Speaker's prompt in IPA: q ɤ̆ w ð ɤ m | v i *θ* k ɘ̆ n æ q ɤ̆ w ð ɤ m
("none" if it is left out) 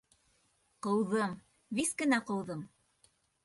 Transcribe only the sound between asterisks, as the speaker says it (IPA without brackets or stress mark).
s